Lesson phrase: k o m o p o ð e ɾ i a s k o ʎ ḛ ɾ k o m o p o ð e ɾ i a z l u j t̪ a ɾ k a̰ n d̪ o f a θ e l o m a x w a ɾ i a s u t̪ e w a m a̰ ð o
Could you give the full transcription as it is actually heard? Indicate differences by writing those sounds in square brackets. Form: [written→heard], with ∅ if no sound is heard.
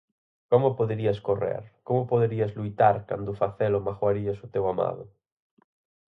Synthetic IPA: k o m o p o ð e ɾ i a s k o [ʎ→r] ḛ ɾ k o m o p o ð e ɾ i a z l u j t̪ a ɾ k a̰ n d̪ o f a θ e l o m a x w a ɾ i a s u t̪ e w a m a̰ ð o